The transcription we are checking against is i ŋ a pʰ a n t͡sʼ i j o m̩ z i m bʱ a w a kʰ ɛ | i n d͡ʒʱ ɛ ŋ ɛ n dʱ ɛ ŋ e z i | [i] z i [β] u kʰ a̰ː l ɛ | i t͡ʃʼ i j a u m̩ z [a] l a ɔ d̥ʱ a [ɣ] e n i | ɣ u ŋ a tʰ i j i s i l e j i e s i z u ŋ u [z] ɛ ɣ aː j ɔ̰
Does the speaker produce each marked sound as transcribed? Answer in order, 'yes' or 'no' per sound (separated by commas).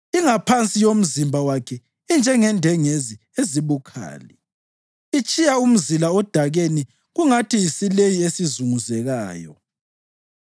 no, yes, no, yes, yes